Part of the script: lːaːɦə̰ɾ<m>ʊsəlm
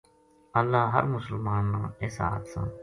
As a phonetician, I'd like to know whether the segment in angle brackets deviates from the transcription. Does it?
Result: no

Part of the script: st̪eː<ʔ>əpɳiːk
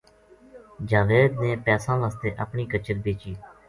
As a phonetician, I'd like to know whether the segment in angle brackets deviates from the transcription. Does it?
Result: no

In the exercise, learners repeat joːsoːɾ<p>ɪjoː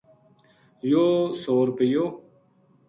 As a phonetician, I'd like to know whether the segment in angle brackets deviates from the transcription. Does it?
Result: no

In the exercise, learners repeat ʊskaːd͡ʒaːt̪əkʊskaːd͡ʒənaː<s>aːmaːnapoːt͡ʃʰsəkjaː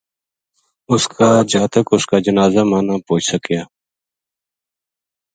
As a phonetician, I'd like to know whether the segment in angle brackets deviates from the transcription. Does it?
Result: yes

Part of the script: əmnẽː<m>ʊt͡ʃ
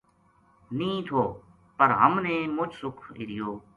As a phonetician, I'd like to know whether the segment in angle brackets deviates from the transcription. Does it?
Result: no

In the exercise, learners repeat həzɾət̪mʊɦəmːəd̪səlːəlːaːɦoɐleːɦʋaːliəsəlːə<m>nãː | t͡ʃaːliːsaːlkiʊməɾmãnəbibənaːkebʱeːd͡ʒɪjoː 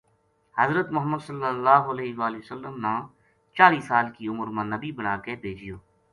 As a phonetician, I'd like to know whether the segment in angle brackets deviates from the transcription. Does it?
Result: no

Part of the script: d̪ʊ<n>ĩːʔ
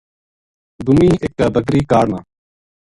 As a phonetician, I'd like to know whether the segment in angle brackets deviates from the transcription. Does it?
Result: yes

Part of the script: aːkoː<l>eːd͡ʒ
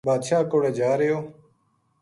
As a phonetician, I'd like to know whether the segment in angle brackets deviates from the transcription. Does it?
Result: yes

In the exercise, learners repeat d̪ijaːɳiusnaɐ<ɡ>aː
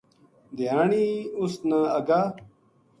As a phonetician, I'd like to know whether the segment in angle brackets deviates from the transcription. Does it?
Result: no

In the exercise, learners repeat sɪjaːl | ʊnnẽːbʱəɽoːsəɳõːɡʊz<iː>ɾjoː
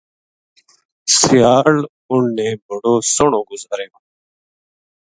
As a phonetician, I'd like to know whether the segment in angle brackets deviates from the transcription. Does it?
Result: yes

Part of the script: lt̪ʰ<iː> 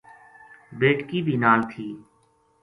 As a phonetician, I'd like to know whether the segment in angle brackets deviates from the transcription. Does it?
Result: no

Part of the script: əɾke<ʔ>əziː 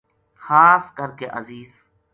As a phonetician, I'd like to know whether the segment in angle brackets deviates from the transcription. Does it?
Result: no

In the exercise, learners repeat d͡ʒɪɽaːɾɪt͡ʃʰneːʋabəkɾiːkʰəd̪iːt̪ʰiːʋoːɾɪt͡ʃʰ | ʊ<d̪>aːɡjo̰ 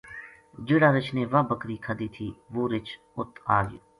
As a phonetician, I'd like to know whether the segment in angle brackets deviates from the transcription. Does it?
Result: yes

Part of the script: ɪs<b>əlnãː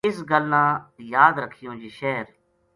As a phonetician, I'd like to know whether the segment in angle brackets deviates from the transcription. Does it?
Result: yes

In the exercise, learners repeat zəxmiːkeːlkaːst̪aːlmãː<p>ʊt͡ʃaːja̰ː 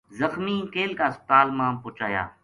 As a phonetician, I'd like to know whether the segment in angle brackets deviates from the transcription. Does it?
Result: no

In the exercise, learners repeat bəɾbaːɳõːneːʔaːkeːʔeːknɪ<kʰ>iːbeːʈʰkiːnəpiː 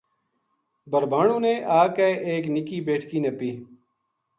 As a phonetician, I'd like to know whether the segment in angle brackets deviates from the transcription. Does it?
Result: yes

